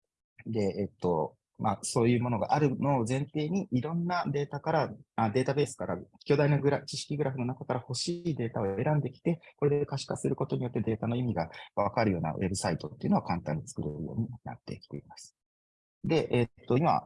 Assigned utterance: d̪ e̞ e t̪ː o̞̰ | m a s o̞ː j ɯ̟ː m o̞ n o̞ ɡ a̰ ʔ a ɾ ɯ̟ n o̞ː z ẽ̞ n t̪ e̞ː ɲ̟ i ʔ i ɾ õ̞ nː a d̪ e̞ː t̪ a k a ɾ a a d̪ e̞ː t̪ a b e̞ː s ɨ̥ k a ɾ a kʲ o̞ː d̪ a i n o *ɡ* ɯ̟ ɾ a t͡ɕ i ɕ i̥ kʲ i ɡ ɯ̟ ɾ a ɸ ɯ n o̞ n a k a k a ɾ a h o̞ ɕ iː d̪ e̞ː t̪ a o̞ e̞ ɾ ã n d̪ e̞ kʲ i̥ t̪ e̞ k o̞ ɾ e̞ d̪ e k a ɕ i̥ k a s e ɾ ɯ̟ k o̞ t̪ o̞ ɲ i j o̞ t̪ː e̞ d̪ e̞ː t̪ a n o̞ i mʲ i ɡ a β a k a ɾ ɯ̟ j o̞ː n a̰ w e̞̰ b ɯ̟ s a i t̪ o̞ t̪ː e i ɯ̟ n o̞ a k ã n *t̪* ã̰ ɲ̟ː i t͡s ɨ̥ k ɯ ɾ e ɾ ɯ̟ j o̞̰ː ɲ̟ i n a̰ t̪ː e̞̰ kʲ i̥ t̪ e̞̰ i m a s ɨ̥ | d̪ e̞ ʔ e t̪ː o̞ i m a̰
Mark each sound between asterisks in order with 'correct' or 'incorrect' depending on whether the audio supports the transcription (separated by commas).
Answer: correct, correct